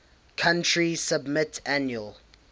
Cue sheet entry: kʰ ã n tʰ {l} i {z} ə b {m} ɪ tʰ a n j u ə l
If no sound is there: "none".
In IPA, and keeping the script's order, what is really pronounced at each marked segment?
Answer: ɹ, s, m

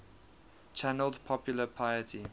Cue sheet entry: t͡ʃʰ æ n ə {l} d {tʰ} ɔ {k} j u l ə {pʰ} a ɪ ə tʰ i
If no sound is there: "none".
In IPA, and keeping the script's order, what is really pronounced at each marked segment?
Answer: l, pʰ, p, pʰ

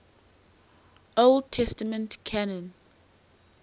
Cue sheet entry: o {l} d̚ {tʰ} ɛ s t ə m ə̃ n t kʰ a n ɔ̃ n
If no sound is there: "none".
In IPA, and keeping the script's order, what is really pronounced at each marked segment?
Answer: l, tʰ

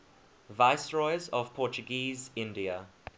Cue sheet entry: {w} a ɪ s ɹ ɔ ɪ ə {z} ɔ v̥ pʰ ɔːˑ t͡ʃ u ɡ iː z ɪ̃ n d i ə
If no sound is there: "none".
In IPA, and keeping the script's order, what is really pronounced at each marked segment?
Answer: v, z

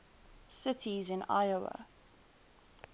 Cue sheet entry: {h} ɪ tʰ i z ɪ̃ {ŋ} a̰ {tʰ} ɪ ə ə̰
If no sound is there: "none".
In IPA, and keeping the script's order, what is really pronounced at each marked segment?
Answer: s, n, none

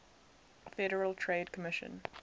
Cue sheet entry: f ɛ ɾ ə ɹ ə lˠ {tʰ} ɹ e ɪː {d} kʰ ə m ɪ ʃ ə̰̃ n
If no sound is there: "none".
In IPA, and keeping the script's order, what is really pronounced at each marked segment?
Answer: tʰ, d

